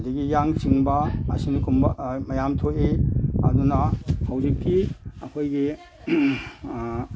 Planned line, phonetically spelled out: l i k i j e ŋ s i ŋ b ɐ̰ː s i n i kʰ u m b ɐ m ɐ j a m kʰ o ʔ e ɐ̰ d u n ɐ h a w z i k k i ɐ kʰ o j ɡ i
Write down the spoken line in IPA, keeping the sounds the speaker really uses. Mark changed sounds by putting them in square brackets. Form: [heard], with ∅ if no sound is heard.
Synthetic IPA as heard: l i [ɡ] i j [a] ŋ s i ŋ b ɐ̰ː s i n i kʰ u m b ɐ m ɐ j a m [tʰ] o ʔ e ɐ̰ d u n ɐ h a w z i k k i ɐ kʰ o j ɡ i